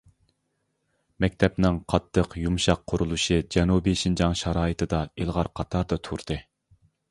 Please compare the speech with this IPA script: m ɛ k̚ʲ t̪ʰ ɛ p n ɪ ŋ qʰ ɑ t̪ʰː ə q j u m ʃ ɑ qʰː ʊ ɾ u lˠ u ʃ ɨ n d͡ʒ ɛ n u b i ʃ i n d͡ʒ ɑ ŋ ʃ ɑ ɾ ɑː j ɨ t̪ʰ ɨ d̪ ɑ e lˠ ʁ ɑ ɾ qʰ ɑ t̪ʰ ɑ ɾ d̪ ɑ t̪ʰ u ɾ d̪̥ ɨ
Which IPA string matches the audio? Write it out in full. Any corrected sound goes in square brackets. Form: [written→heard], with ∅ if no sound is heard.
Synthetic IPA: m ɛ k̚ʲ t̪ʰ ɛ p n ɪ ŋ qʰ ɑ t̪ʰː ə q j u m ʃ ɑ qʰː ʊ ɾ u lˠ u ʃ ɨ [n→∅] d͡ʒ ɛ n u b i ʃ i n d͡ʒ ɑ ŋ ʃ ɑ ɾ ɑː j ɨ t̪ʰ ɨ d̪ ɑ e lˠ ʁ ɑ ɾ qʰ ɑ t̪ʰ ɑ ɾ d̪ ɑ t̪ʰ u ɾ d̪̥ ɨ

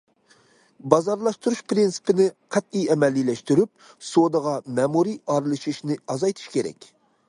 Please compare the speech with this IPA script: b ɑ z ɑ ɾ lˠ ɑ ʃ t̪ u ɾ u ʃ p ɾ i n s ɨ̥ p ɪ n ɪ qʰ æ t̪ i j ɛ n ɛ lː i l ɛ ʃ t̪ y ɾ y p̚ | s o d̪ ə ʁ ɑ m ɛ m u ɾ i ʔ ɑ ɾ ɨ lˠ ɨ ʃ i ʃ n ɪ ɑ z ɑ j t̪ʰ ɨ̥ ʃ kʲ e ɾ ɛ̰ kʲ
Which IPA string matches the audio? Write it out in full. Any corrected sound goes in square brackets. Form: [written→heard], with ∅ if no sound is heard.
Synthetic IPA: b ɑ z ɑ ɾ lˠ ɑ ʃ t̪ u ɾ u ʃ p ɾ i n s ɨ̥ p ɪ n ɪ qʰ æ t̪ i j ɛ [n→m] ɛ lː i l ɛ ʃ t̪ y ɾ y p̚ | s o d̪ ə ʁ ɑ m ɛ m u ɾ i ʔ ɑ ɾ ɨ lˠ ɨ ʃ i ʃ n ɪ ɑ z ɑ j t̪ʰ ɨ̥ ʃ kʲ e ɾ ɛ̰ kʲ

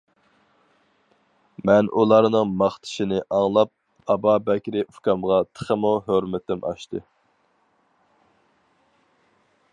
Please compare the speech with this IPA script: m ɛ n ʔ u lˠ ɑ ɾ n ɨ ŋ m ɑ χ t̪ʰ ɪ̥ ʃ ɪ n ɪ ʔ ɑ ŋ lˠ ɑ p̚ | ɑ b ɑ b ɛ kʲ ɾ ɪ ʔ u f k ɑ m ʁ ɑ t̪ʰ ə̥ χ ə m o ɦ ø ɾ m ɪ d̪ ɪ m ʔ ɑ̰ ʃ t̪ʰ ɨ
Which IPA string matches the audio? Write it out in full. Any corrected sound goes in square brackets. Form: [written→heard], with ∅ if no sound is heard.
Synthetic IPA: m ɛ n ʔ u lˠ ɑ ɾ n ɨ ŋ m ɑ χ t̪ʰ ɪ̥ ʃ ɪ n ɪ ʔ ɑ ŋ lˠ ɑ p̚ | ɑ b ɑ b ɛ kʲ ɾ ɪ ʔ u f k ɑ m ʁ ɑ t̪ʰ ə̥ χ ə m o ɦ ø ɾ m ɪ [d̪→t̪] ɪ m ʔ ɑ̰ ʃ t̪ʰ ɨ

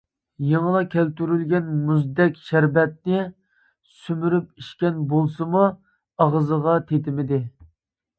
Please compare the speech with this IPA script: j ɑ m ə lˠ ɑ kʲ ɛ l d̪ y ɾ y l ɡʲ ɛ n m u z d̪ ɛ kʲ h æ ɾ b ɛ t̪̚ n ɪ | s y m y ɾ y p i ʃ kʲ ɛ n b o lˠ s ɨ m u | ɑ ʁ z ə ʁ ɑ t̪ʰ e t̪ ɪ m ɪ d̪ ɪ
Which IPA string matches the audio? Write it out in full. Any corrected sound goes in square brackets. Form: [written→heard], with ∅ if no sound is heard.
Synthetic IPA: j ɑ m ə lˠ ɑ kʲ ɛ l [d̪→t̪] y ɾ y l ɡʲ ɛ n m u z d̪ ɛ kʲ [h→ʃ] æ ɾ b ɛ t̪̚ n ɪ | s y m y ɾ y p i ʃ kʲ ɛ n b o lˠ s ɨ m u | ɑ ʁ z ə ʁ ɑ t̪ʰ e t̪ ɪ m ɪ d̪ ɪ

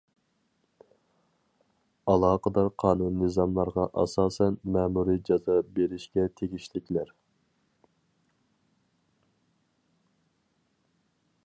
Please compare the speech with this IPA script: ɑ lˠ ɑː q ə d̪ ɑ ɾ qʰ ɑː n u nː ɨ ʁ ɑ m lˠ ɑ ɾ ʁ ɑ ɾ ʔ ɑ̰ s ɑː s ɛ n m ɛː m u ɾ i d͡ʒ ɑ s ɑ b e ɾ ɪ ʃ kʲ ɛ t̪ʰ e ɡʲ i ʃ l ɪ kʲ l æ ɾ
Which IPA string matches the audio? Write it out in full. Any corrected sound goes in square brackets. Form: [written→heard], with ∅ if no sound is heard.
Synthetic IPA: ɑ lˠ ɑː q ə d̪ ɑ ɾ qʰ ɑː n u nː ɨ [ʁ→z] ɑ m lˠ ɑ ɾ ʁ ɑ [ɾ→∅] ʔ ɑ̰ s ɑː s ɛ n m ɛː m u ɾ i d͡ʒ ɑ [s→z] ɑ b e ɾ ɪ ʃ kʲ ɛ t̪ʰ e ɡʲ i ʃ l ɪ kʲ l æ ɾ

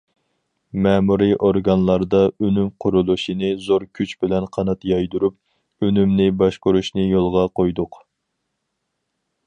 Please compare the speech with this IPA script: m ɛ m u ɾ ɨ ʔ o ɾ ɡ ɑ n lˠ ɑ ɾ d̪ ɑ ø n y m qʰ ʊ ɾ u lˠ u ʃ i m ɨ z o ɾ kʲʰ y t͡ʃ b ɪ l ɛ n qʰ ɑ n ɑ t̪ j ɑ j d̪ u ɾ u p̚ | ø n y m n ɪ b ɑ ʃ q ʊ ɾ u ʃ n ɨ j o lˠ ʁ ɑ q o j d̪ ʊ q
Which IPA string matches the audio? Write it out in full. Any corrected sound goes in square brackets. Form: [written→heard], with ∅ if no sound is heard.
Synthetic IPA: m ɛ m u ɾ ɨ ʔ o ɾ ɡ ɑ n lˠ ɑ ɾ d̪ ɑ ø n y m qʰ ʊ ɾ u lˠ u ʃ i [m→n] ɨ z o ɾ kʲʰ y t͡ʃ b ɪ l ɛ n qʰ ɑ n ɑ t̪ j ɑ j d̪ u ɾ u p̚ | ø n y m n ɪ b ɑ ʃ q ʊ ɾ u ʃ n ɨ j o lˠ ʁ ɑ q o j d̪ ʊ q

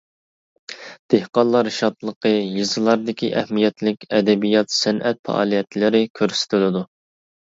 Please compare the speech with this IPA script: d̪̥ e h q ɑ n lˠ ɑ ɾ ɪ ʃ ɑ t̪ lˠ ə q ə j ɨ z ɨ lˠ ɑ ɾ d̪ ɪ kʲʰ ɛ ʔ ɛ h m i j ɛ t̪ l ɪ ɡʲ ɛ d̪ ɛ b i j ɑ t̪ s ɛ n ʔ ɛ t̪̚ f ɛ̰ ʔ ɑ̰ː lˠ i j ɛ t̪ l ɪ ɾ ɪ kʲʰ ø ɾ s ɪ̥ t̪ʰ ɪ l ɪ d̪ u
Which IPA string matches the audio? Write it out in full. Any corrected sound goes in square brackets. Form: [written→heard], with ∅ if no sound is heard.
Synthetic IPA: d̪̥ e h q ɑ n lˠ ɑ ɾ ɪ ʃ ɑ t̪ lˠ ə q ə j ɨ z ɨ lˠ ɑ ɾ d̪ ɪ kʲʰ [ɛ→i] ʔ ɛ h m i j ɛ t̪ l ɪ [ɡʲ→kʲ] ɛ d̪ ɛ b i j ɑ t̪ s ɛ n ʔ ɛ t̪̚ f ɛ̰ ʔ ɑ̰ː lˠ i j ɛ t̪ l ɪ ɾ ɪ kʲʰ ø ɾ s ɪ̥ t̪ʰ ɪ l ɪ d̪ u

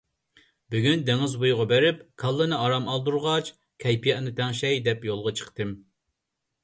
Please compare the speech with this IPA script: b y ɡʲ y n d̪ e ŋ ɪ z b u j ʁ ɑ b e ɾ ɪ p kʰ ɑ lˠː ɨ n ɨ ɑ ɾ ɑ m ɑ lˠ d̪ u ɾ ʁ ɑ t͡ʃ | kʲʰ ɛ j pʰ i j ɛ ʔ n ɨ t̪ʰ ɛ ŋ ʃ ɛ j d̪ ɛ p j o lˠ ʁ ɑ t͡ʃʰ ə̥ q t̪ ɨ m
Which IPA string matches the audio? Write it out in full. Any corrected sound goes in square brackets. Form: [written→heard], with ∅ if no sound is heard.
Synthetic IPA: b y ɡʲ y n d̪ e ŋ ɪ z b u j ʁ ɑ b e ɾ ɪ p kʰ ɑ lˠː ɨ n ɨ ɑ ɾ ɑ m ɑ lˠ d̪ u ɾ ʁ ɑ t͡ʃ | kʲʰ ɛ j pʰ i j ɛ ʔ n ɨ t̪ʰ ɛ ŋ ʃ ɛ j d̪ ɛ p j o lˠ ʁ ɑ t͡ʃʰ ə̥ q t̪ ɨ m

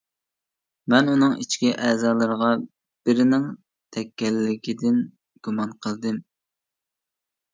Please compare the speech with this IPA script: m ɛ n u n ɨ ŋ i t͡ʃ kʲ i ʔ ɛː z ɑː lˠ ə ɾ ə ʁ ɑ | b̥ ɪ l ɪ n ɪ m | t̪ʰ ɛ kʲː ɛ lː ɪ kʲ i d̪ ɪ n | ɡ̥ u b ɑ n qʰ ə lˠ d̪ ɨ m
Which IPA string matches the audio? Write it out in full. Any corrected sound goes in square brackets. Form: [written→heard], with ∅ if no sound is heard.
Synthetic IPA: m ɛ n u n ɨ ŋ i t͡ʃ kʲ i ʔ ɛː z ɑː lˠ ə ɾ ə ʁ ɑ | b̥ ɪ [l→ɾ] ɪ n ɪ [m→ŋ] | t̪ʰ ɛ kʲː ɛ lː ɪ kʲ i d̪ ɪ n | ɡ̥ u [b→m] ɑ n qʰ ə lˠ d̪ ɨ m

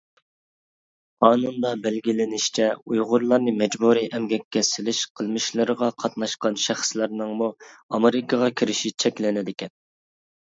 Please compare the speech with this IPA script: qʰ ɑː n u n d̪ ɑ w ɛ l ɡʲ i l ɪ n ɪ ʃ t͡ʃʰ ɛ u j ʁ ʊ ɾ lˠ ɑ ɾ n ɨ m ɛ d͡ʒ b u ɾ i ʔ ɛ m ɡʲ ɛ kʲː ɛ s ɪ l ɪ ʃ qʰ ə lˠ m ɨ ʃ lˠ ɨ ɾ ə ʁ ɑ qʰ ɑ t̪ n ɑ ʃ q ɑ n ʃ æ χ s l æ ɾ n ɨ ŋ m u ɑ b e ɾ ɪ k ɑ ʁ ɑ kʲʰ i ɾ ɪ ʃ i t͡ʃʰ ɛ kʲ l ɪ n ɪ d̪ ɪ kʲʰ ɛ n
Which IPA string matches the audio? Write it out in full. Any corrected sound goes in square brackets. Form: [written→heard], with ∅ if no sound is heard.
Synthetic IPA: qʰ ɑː n u n d̪ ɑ [w→b] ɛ l ɡʲ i l ɪ n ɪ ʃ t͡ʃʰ ɛ u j ʁ ʊ ɾ lˠ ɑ ɾ n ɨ m ɛ d͡ʒ b u ɾ i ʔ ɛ m ɡʲ ɛ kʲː ɛ s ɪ l ɪ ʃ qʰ ə lˠ m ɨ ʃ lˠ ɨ ɾ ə ʁ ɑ qʰ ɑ t̪ n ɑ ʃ q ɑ n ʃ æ χ s l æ ɾ n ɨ ŋ m u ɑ [b→m] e ɾ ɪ k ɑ ʁ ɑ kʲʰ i ɾ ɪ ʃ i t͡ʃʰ ɛ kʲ l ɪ n ɪ d̪ ɪ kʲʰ ɛ n

